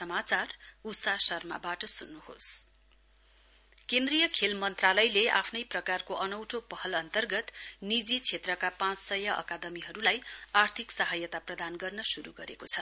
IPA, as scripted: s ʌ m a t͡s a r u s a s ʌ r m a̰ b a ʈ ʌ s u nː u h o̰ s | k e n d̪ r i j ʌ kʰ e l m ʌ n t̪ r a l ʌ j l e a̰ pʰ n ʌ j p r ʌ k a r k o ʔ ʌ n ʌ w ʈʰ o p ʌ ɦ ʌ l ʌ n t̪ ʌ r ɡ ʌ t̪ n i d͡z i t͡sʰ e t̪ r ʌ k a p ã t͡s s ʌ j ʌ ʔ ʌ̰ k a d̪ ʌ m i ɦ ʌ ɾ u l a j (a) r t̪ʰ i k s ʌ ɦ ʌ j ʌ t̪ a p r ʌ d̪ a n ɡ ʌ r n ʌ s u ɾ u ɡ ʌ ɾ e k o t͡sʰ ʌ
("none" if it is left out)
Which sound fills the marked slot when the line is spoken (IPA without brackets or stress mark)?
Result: a